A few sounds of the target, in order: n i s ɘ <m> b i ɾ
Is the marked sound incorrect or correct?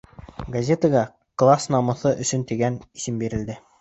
correct